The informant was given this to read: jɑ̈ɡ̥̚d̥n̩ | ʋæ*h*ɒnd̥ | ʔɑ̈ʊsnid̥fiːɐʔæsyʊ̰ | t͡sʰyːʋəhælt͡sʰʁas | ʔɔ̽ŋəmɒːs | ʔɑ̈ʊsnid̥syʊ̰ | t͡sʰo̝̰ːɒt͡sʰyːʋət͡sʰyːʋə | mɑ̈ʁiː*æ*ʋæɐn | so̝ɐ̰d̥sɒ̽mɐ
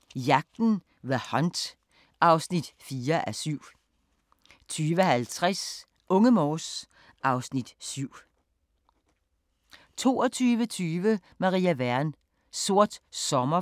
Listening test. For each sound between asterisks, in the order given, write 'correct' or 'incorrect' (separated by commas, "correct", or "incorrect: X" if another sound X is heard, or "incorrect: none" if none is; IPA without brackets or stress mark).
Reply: correct, correct